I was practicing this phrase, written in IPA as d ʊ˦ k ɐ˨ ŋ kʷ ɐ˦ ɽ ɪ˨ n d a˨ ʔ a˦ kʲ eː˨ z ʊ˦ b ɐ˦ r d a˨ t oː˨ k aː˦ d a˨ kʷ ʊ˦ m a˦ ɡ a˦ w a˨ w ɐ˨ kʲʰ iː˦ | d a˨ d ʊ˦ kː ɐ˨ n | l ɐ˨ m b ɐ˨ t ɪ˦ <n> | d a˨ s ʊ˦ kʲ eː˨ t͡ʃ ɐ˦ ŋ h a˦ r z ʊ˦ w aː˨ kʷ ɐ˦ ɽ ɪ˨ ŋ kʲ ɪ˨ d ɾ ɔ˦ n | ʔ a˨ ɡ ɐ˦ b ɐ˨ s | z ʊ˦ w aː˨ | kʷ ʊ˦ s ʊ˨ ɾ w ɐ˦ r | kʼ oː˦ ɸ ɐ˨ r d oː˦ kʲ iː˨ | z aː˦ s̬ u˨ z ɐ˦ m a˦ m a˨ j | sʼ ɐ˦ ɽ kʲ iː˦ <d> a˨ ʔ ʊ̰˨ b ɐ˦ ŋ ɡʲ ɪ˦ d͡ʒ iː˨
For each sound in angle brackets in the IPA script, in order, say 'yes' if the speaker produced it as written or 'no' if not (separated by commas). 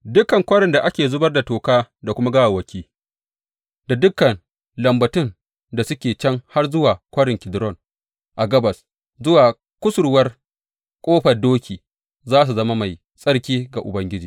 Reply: yes, no